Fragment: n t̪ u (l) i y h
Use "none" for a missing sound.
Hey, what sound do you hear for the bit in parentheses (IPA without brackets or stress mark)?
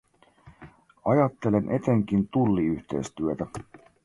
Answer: lː